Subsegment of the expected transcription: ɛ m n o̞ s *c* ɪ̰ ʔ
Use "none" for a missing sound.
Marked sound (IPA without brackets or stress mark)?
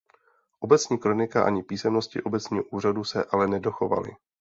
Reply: c